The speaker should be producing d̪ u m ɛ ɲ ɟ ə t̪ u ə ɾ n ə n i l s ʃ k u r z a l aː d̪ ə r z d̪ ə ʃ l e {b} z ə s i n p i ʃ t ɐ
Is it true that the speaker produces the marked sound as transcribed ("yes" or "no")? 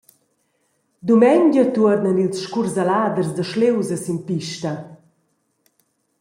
no